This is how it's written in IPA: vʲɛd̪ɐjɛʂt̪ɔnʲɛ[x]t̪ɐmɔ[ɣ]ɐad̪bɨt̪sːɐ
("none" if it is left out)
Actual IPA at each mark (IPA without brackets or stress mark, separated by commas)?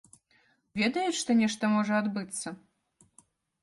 ʂ, ʐ